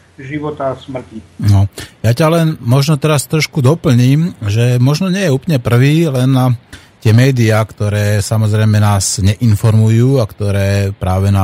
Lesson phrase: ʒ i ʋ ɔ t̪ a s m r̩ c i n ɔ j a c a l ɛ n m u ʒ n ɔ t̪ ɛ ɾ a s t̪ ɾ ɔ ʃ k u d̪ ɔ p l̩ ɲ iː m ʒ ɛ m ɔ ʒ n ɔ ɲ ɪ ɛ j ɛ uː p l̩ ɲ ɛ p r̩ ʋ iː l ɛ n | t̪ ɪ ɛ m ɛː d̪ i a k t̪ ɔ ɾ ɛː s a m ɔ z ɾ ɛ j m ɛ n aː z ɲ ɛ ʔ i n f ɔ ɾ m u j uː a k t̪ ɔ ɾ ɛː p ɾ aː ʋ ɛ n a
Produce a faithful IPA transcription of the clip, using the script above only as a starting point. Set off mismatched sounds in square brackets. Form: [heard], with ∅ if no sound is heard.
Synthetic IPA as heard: ʒ i ʋ ɔ t̪ a s m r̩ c i n ɔ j a c a l ɛ n m [ɔ] ʒ n ɔ t̪ ɛ ɾ a s t̪ ɾ ɔ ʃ k u d̪ ɔ p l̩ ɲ iː m ʒ ɛ m ɔ ʒ n ɔ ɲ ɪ ɛ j ɛ uː p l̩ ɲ ɛ p r̩ ʋ iː l ɛ n | t̪ ɪ ɛ m ɛː d̪ i a k t̪ ɔ ɾ ɛː s a m ɔ z ɾ ɛ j m ɛ n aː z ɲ ɛ ʔ i n f ɔ ɾ m u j uː a k t̪ ɔ ɾ ɛː p ɾ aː ʋ ɛ n a